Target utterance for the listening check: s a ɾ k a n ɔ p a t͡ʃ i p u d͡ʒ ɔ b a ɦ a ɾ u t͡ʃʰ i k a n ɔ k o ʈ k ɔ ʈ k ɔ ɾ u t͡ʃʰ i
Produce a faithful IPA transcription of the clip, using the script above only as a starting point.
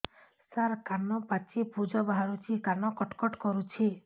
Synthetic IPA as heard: s a ɾ k a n ɔ p a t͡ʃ i p u d͡ʒ ɔ b a ɦ a ɾ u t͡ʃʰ i k a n ɔ k ɔ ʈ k ɔ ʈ k ɔ ɾ u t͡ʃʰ i